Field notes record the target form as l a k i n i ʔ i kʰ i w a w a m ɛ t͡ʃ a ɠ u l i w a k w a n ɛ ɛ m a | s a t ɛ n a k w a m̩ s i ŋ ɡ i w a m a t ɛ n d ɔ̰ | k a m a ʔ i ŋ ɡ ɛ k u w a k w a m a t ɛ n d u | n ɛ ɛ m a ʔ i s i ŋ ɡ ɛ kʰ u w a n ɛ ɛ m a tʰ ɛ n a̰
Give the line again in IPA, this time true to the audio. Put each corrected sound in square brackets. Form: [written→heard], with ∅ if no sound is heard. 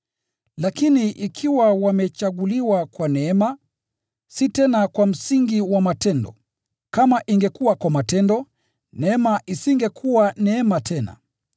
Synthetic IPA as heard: l a k i n i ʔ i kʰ i w a w a m ɛ t͡ʃ a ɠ u l i w a k w a n ɛ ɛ m a | s [a→i] t ɛ n a k w a m̩ s i ŋ ɡ i w a m a t ɛ n d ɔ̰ | k a m a ʔ i ŋ ɡ ɛ k u w a k w a m a t ɛ n d [u→ɔ] | n ɛ ɛ m a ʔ i s i ŋ ɡ ɛ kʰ u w a n ɛ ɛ m a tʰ ɛ n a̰

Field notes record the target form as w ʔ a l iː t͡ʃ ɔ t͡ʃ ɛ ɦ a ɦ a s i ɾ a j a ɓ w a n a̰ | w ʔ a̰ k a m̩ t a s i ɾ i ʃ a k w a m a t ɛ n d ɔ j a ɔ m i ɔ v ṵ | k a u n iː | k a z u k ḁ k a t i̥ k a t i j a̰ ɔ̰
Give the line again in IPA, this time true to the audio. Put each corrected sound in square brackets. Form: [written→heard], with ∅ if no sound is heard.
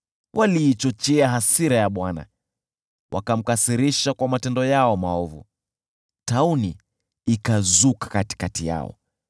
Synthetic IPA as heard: w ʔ a l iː t͡ʃ ɔ t͡ʃ ɛ [ɦ→∅] a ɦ a s i ɾ a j a ɓ w a n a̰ | w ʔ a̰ k a m̩ [t→k] a s i ɾ i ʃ a k w a m a t ɛ n d ɔ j a ɔ m [i→a] ɔ v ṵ | [k→t] a u n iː | k a z u k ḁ k a t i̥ k a t i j a̰ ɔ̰

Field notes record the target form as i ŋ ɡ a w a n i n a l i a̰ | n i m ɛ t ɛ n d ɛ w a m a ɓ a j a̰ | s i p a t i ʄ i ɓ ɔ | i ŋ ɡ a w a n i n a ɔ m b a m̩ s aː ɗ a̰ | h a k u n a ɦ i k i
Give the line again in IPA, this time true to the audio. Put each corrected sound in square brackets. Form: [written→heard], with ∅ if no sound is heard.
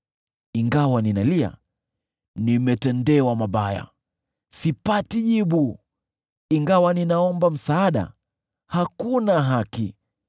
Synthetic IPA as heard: i ŋ ɡ a w a n i n a l i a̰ | n i m ɛ t ɛ n d ɛ w a m a ɓ a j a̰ | s i p a t i ʄ i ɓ [ɔ→u] | i ŋ ɡ a w a n i n a ɔ m b a m̩ s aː ɗ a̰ | h a k u n a ɦ [i→a] k i

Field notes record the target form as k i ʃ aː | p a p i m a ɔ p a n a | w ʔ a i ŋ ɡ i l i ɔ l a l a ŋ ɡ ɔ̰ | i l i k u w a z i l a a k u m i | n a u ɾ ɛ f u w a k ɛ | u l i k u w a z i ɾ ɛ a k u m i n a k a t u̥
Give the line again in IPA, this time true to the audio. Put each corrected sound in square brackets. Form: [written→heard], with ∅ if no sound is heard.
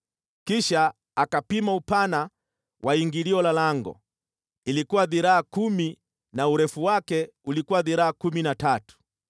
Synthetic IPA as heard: k i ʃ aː | [p→k] a p i m a [ɔ→u] p a n a | w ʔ a i ŋ ɡ i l i ɔ l a l a ŋ ɡ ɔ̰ | i l i k u w a [z→ð] i [l→ɾ] a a k u m i | n a u ɾ ɛ f u w a k ɛ | u l i k u w a [z→ð] i ɾ [ɛ→a] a k u m i n a [k→t] a t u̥

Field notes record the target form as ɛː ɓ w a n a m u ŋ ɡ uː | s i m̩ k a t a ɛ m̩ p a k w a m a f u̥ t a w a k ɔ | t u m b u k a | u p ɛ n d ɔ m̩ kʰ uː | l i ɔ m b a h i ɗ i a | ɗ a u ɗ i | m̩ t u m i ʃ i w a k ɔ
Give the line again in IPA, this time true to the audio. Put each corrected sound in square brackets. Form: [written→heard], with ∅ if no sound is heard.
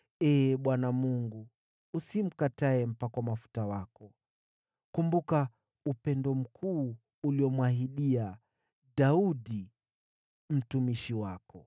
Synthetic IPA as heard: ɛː ɓ w a n a m u ŋ ɡ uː | s i m̩ k a t a ɛ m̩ p a k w a m a f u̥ t a w a k ɔ | [t→k] u m b u k a | u p ɛ n d ɔ m̩ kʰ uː | l i ɔ m [b→w] a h i ɗ i a | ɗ a u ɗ i | m̩ t u m i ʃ i w a k ɔ

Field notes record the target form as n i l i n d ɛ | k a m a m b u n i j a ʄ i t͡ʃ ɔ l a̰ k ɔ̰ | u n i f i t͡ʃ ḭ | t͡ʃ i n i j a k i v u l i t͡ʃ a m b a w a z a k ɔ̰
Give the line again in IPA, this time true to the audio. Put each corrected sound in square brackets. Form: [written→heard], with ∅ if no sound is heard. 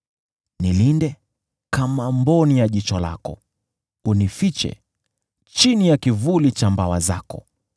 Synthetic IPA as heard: n i l i n d ɛ | k a m a m b [u→ɔ] n i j a ʄ i t͡ʃ ɔ l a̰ k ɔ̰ | u n i f i t͡ʃ [ḭ→ɛ̰] | t͡ʃ i n i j a k i v u l i t͡ʃ a m b a w a z a k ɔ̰

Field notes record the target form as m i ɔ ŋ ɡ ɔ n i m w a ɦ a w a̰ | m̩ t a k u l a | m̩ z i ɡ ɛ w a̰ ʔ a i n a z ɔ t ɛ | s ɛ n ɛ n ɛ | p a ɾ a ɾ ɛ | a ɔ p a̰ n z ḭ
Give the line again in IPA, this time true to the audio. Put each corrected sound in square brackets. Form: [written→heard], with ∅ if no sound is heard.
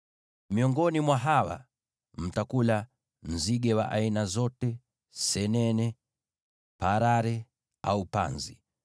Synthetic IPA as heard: m i ɔ ŋ ɡ ɔ n i m w a ɦ a w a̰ | m̩ t a k u l a | m̩ z i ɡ ɛ w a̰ ʔ a i n a z ɔ t ɛ | s ɛ n ɛ n ɛ | p a ɾ a ɾ ɛ | a [ɔ→u] p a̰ n z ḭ

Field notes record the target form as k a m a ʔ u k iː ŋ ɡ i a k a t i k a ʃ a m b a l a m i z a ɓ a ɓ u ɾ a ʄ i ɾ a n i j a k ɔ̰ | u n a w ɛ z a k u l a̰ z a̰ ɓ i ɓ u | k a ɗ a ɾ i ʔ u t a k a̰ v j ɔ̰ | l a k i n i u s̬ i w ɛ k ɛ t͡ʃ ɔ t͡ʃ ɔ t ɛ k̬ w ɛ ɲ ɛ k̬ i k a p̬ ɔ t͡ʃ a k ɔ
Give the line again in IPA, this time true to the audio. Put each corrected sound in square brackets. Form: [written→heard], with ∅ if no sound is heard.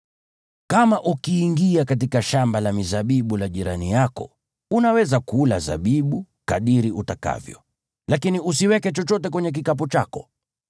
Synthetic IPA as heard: k a m a ʔ u k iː ŋ ɡ i a k a t i k a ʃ a m b a l a m i z a ɓ [a→i] ɓ u [ɾ→l] a ʄ i ɾ a n i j a k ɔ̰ | u n a w ɛ z a k u l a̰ z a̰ ɓ i ɓ u | k a ɗ [a→i] ɾ i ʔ u t a k a̰ v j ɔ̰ | l a k i n i u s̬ i w ɛ k ɛ t͡ʃ ɔ t͡ʃ ɔ t ɛ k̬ w ɛ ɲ ɛ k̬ i k a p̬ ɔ t͡ʃ a k ɔ

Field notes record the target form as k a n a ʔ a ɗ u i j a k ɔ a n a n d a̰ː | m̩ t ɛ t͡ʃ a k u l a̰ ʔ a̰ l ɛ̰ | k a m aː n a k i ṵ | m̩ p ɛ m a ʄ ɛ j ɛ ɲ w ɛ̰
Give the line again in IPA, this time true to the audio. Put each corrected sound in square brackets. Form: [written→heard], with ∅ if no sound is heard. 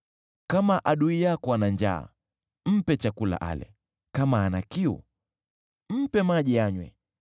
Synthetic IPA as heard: k a [n→m] a ʔ a ɗ u i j a k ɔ a n a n [d→d͡ʒ] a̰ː | m̩ [t→p] ɛ t͡ʃ a k u l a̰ ʔ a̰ l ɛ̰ | k a m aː n a k i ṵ | m̩ p ɛ m a ʄ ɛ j [ɛ→a] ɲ w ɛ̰

